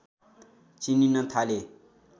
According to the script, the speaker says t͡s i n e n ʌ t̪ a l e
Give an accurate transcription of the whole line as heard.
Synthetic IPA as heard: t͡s i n i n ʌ t̪ʰ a l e